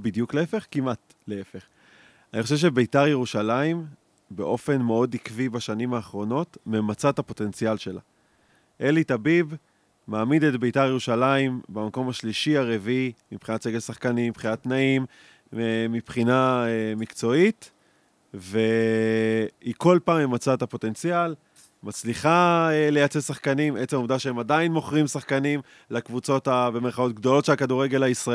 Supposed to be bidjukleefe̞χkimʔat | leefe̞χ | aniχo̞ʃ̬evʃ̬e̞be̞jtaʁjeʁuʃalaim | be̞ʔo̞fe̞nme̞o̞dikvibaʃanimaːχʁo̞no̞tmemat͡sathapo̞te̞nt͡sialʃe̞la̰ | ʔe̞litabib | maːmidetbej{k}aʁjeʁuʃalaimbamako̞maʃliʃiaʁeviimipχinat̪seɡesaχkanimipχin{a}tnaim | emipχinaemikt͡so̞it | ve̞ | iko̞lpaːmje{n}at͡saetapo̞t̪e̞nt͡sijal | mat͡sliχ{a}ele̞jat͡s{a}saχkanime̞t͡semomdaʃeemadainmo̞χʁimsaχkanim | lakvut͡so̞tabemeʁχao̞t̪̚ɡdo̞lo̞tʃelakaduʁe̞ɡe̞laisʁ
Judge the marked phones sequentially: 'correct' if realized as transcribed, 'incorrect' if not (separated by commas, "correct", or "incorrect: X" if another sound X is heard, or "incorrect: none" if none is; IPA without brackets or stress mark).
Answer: incorrect: t, correct, incorrect: m, correct, incorrect: e